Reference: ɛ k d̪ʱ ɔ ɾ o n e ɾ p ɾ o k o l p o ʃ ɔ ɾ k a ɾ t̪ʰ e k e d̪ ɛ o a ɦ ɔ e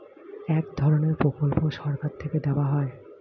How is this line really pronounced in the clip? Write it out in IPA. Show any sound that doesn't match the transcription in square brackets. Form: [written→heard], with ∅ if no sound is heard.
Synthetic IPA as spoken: ɛ k d̪ʱ ɔ ɾ o n e ɾ p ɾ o k o l p o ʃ ɔ ɾ k a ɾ t̪ʰ e k e d̪ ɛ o a ɦ ɔ e